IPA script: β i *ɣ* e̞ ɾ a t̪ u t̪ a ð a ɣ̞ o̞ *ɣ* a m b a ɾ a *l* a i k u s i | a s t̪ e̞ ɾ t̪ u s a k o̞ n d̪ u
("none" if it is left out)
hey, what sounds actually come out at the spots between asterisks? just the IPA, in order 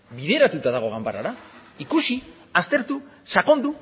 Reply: ð, ɣ, ɾ

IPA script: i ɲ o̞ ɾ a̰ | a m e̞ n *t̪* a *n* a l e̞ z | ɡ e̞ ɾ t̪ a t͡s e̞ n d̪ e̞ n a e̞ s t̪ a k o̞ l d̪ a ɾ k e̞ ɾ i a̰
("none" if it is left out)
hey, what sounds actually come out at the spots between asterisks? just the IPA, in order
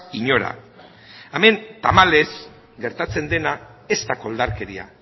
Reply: t̪, m

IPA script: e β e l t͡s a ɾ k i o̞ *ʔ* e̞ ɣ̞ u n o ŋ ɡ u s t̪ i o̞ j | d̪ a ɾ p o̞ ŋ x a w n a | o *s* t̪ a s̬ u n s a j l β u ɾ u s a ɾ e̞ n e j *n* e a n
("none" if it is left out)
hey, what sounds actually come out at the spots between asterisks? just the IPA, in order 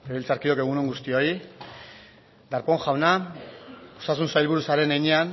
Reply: k, s, ɲ

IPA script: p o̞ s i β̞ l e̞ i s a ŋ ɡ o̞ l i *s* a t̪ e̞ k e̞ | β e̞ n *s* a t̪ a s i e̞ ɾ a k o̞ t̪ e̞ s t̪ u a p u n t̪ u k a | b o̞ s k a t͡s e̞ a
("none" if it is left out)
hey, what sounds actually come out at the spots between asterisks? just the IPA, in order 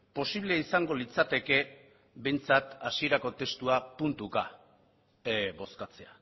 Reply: t͡s, t͡s

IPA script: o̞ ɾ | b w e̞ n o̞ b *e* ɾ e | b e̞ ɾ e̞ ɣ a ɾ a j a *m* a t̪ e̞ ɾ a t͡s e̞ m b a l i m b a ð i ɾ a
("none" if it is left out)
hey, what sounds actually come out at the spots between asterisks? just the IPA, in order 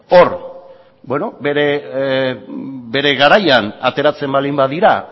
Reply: e, n

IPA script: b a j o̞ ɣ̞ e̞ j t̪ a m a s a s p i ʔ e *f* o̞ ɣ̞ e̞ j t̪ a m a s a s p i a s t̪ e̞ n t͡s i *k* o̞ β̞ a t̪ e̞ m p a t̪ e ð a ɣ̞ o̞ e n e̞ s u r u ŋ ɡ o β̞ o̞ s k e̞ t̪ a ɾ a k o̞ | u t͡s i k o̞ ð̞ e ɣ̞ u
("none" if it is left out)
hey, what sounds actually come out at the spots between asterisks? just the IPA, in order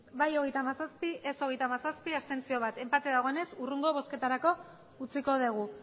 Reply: s, none

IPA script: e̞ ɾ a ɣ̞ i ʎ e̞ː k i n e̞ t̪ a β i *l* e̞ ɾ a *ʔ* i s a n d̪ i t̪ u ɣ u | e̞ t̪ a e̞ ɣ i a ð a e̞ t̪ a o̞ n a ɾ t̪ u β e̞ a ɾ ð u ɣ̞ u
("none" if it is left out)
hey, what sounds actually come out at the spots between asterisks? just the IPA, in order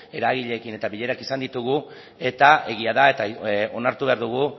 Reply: ʎ, k

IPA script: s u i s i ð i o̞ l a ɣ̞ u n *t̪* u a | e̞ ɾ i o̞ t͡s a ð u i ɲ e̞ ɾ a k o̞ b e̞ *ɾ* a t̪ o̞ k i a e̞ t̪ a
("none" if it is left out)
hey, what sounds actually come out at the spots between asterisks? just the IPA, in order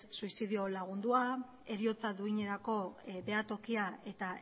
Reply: d̪, none

